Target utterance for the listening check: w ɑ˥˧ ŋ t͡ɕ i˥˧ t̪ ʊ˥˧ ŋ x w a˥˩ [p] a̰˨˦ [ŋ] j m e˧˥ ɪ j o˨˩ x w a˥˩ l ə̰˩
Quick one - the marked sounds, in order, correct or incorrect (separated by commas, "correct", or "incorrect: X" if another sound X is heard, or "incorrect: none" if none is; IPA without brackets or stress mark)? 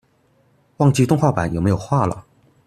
correct, incorrect: n